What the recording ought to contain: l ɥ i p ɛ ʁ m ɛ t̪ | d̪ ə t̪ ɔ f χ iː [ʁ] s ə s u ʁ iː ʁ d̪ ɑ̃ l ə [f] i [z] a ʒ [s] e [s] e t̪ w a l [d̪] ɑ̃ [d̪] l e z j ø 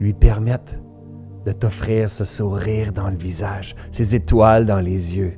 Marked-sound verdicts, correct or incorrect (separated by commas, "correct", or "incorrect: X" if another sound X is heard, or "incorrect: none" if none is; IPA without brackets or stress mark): correct, incorrect: v, correct, correct, incorrect: z, correct, incorrect: none